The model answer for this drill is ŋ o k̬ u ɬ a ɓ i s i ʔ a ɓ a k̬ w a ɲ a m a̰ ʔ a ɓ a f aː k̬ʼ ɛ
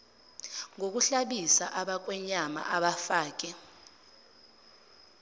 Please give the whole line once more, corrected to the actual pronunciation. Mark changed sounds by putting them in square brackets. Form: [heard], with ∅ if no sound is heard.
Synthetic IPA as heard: ŋ o k̬ u ɬ a ɓ i s [a] ʔ a ɓ a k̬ w [ɛ] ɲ a m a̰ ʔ a ɓ a f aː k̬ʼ ɛ